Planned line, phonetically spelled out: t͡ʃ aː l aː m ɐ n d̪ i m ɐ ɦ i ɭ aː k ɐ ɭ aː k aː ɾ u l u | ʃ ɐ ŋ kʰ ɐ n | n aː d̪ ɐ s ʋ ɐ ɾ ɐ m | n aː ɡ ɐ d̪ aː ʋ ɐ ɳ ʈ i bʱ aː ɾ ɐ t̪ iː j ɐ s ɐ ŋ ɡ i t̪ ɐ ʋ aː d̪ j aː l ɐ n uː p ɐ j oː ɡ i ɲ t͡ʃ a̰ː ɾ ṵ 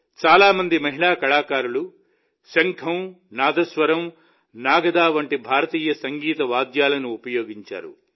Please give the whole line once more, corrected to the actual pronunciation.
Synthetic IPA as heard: t͡ʃ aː l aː m ɐ n d̪ i m ɐ ɦ i ɭ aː k ɐ ɭ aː k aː ɾ u l u | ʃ ɐ ŋ kʰ ɐ m | n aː d̪ ɐ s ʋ ɐ ɾ ɐ m | n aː ɡ ɐ d̪ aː ʋ ɐ ɳ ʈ i bʱ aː ɾ ɐ t̪ iː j ɐ s ɐ ŋ ɡ iː t̪ ɐ ʋ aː d̪ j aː l ɐ n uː p ɐ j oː ɡ i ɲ t͡ʃ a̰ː ɾ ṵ

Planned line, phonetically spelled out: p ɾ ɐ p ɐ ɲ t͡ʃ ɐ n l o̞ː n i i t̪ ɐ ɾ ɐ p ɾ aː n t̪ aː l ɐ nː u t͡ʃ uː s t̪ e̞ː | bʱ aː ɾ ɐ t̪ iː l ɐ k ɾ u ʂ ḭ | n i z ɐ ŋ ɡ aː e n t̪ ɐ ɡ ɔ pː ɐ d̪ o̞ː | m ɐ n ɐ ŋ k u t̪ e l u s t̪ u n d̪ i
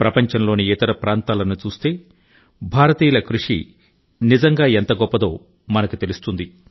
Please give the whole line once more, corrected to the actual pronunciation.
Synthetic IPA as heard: p ɾ ɐ p ɐ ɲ t͡ʃ ɐ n l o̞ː n i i t̪ ɐ ɾ ɐ p ɾ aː n t̪ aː l ɐ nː u t͡ʃ uː s t̪ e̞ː | bʱ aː ɾ ɐ t̪ iː l ɐ k ɾ u ʂ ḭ | n i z ɐ ŋ ɡ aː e n t̪ ɐ ɡ ɔ pː ɐ d̪ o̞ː | m ɐ n ɐ k u t̪ e l u s t̪ u n d̪ i

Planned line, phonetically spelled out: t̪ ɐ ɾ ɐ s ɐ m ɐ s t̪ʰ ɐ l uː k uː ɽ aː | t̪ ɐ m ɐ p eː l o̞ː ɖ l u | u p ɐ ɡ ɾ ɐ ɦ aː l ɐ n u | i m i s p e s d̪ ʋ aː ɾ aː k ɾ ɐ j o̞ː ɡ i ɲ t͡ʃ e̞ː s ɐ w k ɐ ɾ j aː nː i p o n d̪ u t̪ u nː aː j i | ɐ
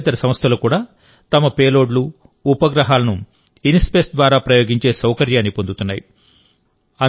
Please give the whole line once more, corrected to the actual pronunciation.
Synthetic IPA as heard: t̪ ɐ ɾ ɐ s ɐ m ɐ s t̪ʰ ɐ l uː k uː ɽ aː | t̪ ɐ m ɐ p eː l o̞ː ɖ l u | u p ɐ ɡ ɾ ɐ ɦ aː l ɐ n u | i n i s p e s d̪ ʋ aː ɾ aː p ɾ ɐ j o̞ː ɡ i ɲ t͡ʃ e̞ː s ɐ w k ɐ ɾ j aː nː i p o n d̪ u t̪ u nː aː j i | ɐ

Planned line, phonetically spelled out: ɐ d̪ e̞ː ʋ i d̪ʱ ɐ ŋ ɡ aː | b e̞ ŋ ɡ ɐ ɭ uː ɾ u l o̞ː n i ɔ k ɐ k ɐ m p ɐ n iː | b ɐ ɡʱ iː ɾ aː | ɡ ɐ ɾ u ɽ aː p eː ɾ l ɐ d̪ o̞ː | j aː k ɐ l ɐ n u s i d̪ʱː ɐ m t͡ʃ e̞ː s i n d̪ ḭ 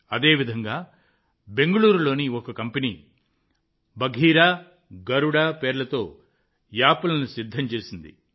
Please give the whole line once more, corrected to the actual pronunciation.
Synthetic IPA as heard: ɐ d̪ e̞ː ʋ i d̪ʱ ɐ ŋ ɡ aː | b e̞ ŋ ɡ ɐ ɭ uː ɾ u l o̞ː n i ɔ k ɐ k ɐ m p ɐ n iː | b ɐ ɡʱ iː ɾ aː | ɡ ɐ ɾ u ɽ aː p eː ɾ l ɐ t̪ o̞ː | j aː p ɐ l ɐ n u s i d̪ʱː ɐ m t͡ʃ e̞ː s i n d̪ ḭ

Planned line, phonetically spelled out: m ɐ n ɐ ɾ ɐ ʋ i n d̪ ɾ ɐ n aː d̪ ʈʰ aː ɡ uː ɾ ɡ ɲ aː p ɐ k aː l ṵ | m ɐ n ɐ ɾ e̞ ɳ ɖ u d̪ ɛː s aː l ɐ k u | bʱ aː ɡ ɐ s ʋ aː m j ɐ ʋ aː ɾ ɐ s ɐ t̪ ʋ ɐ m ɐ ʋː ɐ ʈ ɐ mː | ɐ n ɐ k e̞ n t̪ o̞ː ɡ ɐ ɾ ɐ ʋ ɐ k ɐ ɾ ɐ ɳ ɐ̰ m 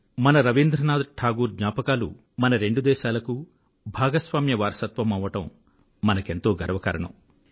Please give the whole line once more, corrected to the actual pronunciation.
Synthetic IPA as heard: m ɐ n ɐ ɾ ɐ ʋ i n d̪ ɾ ɐ n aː d̪ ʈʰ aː ɡ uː ɾ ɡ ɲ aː p ɐ k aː l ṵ | m ɐ n ɐ ɾ e̞ ɳ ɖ u d̪ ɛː ʃ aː l ɐ k u | bʱ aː ɡ ɐ s ʋ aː m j ɐ ʋ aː ɾ ɐ s ɐ t̪ ʋ ɐ m ɐ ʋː ɐ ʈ ɐ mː | ɐ n ɐ k e̞ n t̪ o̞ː ɡ ɐ ɾ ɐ ʋ ɐ k ɐ ɾ ɐ ɳ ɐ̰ m

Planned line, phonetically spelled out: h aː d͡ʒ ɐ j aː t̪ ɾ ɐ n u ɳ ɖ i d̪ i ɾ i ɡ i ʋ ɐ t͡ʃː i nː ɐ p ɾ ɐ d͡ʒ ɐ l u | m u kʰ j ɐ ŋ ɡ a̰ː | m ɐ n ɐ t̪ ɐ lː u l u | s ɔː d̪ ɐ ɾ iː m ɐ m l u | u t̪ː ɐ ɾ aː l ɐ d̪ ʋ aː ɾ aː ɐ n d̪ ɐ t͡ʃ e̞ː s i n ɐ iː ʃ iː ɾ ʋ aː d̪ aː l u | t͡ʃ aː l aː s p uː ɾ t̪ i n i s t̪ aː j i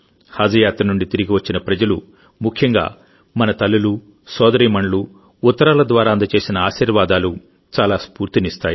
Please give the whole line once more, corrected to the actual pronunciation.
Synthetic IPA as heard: h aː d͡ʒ ɐ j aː t̪ ɾ ɐ n u ɳ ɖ i t̪ i ɾ i ɡ i ʋ ɐ t͡ʃː i n ɐ p ɾ ɐ d͡ʒ ɐ l u | m u kʰ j ɐ ŋ ɡ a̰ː | m ɐ n ɐ t̪ ɐ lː u l u | s ɔː d̪ ɐ ɾ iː m ɐ ɳ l u | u t̪ː ɐ ɾ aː l ɐ d̪ ʋ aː ɾ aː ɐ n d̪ ɐ t͡ʃ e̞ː s i n ɐ aː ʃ iː ɾ ʋ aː d̪ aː l u | t͡ʃ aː l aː s p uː ɾ t̪ i n i s t̪ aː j i

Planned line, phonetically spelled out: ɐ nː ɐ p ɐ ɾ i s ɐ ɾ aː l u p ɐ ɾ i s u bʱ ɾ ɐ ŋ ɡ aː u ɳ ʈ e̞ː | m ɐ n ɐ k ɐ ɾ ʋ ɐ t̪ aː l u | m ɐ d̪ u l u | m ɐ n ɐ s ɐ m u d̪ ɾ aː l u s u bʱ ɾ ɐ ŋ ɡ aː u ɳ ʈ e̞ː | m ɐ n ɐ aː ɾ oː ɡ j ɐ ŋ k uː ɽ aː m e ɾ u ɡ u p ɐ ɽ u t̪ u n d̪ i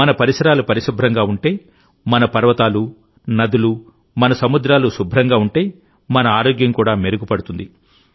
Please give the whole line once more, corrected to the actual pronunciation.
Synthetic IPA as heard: ɐ n ɐ p ɐ ɾ i s ɐ ɾ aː l u p ɐ ɾ i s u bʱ ɾ ɐ ŋ ɡ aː u ɳ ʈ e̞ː | m ɐ n ɐ p ɐ ɾ ʋ ɐ t̪ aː l u | n ɐ d̪ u l u | m ɐ n ɐ s ɐ m u d̪ ɾ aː l u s u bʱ ɾ ɐ ŋ ɡ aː u ɳ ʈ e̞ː | m ɐ n ɐ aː ɾ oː ɡ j ɐ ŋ k uː ɽ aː m e ɾ u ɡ u p ɐ ɽ u t̪ u n d̪ i

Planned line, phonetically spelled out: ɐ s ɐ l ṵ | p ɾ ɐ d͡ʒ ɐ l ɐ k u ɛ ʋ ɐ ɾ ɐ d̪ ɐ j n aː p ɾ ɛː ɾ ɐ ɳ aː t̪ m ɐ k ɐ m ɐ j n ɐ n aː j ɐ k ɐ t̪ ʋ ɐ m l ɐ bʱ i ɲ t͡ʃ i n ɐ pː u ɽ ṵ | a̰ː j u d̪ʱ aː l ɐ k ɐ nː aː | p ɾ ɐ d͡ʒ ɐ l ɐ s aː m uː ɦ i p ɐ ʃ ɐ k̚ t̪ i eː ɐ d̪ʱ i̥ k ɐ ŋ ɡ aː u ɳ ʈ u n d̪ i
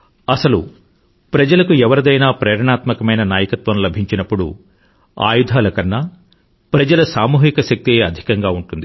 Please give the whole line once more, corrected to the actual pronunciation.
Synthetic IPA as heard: ɐ s ɐ l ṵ | p ɾ ɐ d͡ʒ ɐ l ɐ k u ɛ ʋ ɐ ɾ ɐ d̪ ɐ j n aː p ɾ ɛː ɾ ɐ ɳ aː t̪ m ɐ k ɐ m ɐ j n ɐ n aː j ɐ k ɐ t̪ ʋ ɐ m l ɐ bʱ i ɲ t͡ʃ i n ɐ pː u ɽ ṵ | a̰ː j u d̪ʱ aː l ɐ k ɐ nː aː | p ɾ ɐ d͡ʒ ɐ l ɐ s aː m uː ɦ i k ɐ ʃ ɐ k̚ t̪ i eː ɐ d̪ʱ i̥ k ɐ ŋ ɡ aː u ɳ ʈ u n d̪ i

